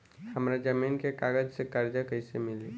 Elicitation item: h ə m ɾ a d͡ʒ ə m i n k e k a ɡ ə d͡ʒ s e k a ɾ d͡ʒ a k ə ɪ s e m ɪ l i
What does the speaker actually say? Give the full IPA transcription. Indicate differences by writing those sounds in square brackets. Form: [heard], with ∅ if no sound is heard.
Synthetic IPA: h ə m ɾ a d͡ʒ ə m i n k e k a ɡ ə d͡ʒ s e k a ɾ d͡ʒ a k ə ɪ s e m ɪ l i

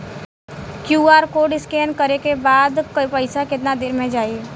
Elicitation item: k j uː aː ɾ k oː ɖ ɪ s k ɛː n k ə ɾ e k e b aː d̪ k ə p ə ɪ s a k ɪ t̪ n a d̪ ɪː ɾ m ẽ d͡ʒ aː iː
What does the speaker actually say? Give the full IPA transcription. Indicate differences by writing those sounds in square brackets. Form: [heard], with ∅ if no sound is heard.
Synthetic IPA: k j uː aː ɾ k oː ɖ ɪ s k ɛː n k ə ɾ e k e b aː d̪ k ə p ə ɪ s a k ɪ t̪ n a d̪ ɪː ɾ m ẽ d͡ʒ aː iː

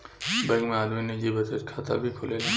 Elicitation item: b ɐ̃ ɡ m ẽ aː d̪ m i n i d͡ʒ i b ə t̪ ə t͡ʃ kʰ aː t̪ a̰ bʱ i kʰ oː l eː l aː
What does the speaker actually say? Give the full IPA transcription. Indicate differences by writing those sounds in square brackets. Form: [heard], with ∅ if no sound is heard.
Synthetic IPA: b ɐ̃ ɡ m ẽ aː d̪ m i n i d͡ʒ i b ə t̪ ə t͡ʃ kʰ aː t̪ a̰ bʱ i kʰ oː l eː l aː

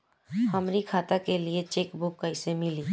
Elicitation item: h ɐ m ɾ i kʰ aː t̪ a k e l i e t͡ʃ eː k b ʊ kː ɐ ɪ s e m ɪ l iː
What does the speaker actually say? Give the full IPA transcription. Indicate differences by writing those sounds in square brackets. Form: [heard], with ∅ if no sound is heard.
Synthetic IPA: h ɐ m ɾ i kʰ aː t̪ a k e l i e t͡ʃ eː k b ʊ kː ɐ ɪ s e m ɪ l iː

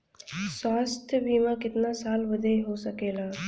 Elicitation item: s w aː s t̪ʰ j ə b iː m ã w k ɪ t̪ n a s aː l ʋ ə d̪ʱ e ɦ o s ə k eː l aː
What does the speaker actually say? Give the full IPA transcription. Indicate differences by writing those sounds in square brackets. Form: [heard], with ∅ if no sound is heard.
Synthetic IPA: s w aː s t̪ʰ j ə b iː m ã [∅] k ɪ t̪ n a s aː l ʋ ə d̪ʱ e ɦ o s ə k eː l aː

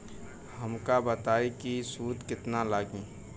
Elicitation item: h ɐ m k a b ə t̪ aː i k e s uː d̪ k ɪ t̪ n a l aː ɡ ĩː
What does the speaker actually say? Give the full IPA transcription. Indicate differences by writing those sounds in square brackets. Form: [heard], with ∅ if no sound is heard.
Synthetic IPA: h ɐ m k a b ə t̪ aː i k [i] s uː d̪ k ɪ t̪ n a l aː ɡ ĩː

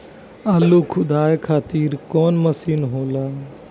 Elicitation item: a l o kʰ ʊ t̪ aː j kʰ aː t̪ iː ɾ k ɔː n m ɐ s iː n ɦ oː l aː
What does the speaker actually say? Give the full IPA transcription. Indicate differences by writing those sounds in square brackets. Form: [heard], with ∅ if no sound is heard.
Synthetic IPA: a l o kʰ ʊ [d̪] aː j kʰ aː t̪ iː ɾ k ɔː n m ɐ s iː n ɦ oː l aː

